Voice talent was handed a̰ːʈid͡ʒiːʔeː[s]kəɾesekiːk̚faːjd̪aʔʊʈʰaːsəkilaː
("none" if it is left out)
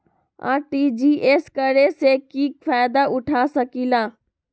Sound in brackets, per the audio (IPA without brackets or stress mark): s